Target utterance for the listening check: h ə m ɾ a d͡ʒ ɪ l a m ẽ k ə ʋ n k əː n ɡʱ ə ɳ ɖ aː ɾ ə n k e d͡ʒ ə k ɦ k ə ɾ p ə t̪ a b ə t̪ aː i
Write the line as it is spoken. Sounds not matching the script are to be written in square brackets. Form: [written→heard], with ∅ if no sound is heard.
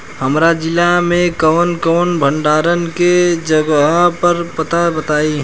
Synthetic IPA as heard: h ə m ɾ a d͡ʒ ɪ l a m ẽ k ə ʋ n k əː n [ɡʱ→bʱ] ə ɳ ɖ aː ɾ ə n k e d͡ʒ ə [k→ɡ] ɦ [k→p] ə ɾ p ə t̪ a b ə t̪ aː i